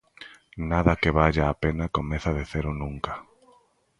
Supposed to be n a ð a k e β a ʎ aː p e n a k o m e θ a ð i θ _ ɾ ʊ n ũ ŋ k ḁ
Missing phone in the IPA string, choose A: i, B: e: B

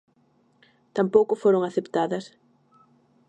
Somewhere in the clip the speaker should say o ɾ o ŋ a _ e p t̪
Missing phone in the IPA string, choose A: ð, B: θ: B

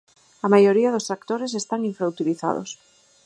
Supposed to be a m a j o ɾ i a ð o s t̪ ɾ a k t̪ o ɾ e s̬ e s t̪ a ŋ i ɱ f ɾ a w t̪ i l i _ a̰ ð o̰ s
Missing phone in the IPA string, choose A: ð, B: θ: B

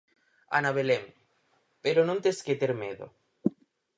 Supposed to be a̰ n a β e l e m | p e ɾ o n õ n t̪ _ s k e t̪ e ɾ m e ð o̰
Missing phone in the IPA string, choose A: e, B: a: A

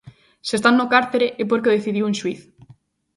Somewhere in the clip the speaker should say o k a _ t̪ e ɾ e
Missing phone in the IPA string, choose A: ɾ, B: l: A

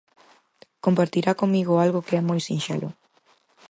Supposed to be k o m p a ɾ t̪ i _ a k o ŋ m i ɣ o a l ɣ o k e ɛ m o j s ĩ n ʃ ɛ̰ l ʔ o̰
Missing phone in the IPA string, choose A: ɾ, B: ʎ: A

